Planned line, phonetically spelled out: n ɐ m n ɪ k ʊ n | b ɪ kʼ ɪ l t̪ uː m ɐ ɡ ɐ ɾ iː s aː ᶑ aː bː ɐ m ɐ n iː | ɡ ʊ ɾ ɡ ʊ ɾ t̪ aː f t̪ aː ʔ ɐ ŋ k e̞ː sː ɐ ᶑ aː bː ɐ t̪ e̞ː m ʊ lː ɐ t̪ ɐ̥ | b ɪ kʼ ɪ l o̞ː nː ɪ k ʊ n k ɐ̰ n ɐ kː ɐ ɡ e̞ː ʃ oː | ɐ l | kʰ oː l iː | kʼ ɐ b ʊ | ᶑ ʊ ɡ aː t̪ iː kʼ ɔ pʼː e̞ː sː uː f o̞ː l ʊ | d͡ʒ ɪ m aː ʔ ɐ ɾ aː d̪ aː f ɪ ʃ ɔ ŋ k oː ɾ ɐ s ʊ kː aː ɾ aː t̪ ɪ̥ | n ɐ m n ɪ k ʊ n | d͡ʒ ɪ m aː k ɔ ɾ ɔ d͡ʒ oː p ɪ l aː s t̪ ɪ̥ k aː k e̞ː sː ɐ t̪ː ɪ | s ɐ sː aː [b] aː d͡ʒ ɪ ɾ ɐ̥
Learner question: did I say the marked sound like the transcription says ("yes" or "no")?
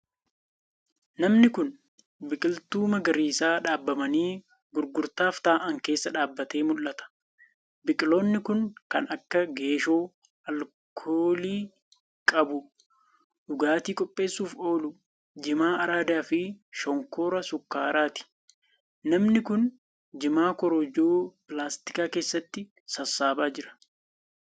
yes